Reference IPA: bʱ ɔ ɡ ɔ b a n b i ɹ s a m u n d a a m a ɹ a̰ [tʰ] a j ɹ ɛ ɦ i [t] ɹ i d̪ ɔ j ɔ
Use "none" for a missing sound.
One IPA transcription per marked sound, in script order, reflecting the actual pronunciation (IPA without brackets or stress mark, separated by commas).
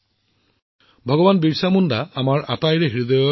t, none